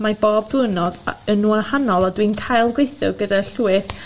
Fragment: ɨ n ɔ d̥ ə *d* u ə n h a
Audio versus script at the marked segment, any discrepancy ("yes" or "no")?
yes